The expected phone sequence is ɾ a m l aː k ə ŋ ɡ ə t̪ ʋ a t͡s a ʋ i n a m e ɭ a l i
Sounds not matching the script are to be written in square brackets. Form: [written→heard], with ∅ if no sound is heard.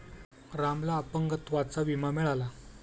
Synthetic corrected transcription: ɾ a m l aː [k→p] ə ŋ ɡ ə t̪ ʋ a t͡s a ʋ i [n→m] a m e ɭ a l [i→a]